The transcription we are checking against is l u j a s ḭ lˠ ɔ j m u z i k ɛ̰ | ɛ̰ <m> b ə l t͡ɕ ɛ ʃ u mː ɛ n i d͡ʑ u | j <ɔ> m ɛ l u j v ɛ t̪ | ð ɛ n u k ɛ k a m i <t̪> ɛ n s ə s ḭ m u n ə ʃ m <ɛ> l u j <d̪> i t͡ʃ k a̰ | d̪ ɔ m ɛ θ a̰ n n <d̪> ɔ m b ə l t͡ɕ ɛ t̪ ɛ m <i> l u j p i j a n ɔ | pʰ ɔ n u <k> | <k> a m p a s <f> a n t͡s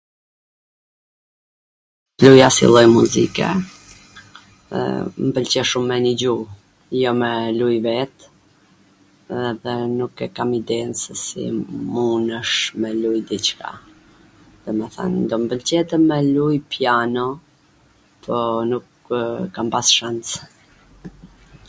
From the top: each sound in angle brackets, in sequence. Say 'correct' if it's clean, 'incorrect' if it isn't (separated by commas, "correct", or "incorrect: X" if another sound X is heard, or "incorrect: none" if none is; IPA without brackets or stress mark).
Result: correct, correct, incorrect: d̪, correct, correct, correct, incorrect: ɛ, correct, correct, incorrect: ʃ